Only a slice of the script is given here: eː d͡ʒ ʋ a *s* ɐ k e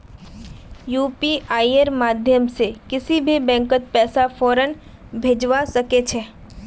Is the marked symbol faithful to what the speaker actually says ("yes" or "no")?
yes